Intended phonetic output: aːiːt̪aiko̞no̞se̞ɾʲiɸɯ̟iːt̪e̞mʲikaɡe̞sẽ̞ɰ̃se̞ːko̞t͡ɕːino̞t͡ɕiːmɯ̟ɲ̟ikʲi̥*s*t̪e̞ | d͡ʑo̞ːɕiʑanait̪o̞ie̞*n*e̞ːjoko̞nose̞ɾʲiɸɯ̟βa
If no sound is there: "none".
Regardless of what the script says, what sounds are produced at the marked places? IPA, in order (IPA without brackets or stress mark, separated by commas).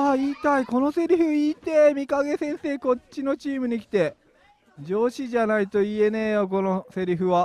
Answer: none, n